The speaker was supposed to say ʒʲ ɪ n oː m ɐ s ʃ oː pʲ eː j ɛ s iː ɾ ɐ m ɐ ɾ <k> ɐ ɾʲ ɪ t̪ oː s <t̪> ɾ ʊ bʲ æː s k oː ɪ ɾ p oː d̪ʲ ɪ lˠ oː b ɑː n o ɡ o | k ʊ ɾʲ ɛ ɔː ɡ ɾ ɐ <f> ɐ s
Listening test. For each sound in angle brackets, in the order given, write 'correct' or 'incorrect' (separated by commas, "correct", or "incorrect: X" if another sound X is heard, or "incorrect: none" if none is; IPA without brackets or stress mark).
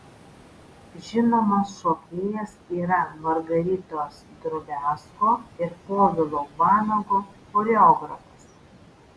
incorrect: ɡ, incorrect: d̪, correct